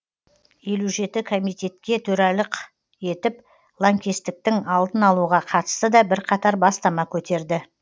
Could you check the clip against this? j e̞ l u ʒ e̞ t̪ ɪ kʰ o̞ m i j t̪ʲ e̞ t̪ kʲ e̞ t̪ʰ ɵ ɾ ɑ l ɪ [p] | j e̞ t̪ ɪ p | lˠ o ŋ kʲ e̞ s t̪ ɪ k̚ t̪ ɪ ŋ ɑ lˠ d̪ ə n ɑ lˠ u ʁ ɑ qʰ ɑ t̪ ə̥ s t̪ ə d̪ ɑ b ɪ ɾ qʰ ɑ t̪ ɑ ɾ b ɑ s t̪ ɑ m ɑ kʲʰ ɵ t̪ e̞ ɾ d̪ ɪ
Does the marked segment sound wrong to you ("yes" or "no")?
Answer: yes